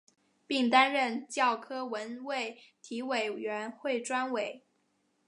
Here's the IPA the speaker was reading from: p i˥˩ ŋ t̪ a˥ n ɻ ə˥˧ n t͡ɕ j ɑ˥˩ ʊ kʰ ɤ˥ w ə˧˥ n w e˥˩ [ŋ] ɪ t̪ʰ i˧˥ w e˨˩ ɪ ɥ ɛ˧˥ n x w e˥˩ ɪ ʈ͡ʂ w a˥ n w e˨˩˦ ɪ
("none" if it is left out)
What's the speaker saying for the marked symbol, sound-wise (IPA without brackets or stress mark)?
none